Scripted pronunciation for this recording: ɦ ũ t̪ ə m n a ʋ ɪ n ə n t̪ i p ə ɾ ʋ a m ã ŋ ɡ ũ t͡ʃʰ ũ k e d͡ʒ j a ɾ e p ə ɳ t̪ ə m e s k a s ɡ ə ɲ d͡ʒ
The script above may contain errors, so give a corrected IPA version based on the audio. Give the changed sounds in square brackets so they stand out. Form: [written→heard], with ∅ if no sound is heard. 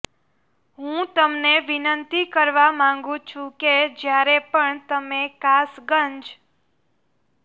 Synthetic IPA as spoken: ɦ ũ t̪ ə m n [a→e] ʋ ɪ n ə n t̪ i [p→k] ə ɾ ʋ a m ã ŋ ɡ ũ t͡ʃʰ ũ k e d͡ʒ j a ɾ e p ə ɳ t̪ ə m e [s→∅] k a s ɡ ə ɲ d͡ʒ